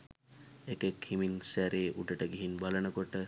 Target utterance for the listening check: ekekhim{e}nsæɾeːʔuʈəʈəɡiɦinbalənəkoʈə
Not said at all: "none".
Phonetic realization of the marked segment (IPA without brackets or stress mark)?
i